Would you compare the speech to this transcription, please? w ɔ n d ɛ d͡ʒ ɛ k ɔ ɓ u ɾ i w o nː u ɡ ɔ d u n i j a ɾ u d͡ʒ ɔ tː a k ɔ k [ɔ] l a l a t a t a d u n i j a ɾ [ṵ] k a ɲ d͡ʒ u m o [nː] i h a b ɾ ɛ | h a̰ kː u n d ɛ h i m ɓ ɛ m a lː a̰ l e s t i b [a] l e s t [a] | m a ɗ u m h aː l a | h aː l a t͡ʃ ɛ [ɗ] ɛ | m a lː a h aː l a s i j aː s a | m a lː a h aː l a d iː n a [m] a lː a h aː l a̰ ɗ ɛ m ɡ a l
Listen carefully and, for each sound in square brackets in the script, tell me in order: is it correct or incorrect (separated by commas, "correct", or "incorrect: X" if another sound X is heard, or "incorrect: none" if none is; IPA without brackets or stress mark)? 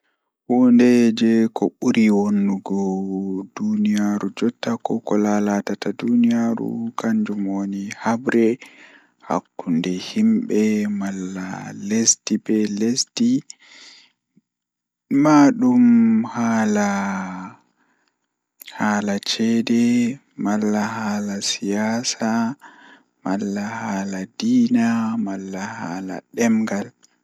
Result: correct, correct, incorrect: n, incorrect: ɛ, incorrect: i, incorrect: d, correct